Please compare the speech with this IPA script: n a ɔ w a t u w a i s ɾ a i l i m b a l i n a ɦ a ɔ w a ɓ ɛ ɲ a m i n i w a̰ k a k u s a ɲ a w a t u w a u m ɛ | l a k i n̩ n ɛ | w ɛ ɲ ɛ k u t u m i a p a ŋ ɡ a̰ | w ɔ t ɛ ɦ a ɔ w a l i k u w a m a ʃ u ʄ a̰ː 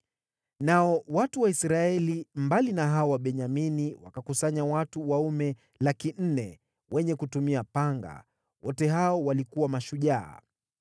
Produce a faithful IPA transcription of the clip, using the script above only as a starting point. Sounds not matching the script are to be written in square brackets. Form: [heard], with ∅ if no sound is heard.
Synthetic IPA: n a ɔ w a t u w a i s ɾ a [ɛ] l i m b a l i n a ɦ a ɔ w a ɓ ɛ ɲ a m i n i w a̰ k a k u s a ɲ a w a t u w a u m ɛ | l a k i n̩ n ɛ | w ɛ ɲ ɛ k u t u m i a p a ŋ ɡ a̰ | w ɔ t ɛ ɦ a ɔ w a l i k u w a m a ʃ u ʄ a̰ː